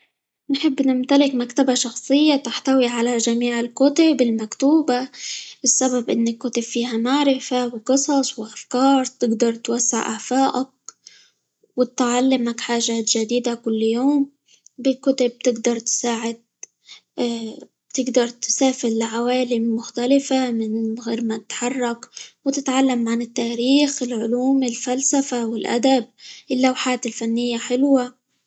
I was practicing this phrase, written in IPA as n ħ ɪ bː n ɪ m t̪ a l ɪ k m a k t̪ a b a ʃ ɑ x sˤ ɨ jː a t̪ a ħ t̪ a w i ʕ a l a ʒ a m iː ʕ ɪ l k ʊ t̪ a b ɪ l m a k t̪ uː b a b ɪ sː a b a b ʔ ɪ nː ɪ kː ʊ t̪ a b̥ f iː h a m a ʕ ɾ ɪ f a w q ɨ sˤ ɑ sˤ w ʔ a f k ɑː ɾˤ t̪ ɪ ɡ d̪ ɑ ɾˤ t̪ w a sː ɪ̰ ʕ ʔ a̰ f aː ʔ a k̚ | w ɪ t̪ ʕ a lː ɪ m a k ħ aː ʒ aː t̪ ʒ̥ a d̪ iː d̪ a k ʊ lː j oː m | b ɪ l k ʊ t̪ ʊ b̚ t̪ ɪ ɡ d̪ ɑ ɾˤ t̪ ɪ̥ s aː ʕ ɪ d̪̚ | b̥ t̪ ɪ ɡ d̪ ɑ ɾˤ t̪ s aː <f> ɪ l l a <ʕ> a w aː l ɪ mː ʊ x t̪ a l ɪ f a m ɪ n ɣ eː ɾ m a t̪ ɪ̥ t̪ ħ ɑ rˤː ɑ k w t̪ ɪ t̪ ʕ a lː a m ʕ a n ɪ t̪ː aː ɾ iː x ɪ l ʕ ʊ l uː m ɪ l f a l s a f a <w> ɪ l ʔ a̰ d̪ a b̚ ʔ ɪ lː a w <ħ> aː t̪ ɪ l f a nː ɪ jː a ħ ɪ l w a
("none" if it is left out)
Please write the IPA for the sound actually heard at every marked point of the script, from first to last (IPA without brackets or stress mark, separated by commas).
f, ʕ, w, ħ